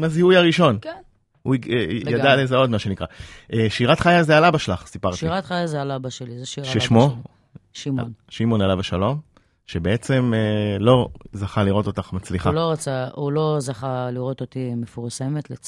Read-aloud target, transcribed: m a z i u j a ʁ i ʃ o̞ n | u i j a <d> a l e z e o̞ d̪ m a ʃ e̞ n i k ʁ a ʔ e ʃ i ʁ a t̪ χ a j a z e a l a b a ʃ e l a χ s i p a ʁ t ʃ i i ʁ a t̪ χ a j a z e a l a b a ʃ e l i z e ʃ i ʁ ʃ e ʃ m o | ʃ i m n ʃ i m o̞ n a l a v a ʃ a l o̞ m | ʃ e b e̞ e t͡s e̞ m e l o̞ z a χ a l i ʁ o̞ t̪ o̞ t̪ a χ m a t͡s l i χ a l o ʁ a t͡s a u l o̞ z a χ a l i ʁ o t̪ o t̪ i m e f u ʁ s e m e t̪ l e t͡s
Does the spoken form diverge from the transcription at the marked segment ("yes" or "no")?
no